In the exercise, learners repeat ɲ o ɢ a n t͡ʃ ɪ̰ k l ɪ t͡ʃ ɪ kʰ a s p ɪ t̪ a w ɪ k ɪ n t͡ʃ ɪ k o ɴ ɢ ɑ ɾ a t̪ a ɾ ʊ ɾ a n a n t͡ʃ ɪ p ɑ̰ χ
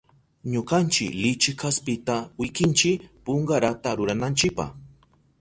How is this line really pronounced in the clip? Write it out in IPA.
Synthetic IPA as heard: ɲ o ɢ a n t͡ʃ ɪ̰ k l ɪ t͡ʃ ɪ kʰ a s p ɪ t̪ a w ɪ k ɪ n t͡ʃ ɪ p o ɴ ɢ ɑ ɾ a t̪ a ɾ ʊ ɾ a n a n t͡ʃ ɪ p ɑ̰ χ